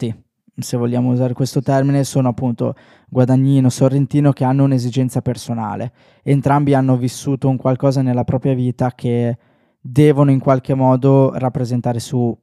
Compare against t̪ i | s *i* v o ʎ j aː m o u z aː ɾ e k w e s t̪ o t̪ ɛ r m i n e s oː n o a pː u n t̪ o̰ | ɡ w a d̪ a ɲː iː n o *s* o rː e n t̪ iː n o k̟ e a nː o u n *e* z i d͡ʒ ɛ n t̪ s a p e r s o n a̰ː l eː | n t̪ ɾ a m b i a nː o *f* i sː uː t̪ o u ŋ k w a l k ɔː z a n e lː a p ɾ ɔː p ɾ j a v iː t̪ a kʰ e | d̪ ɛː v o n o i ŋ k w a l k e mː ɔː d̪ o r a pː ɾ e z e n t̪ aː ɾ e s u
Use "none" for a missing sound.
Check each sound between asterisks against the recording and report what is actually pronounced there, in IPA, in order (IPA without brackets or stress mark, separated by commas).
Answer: e, s, e, v